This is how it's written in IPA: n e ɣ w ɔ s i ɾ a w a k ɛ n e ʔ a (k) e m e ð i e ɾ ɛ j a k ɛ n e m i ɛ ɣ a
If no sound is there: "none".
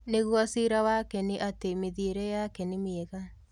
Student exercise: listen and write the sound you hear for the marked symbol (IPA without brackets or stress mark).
t